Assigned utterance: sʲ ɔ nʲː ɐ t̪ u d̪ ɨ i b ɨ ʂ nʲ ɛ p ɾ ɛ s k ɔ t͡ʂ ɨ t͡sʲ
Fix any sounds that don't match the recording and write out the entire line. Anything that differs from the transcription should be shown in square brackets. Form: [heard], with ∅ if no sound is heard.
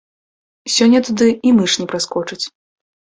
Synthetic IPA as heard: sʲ ɔ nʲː ɐ t̪ u d̪ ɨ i [m] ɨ ʂ nʲ ɛ p ɾ [a] s k ɔ t͡ʂ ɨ t͡sʲ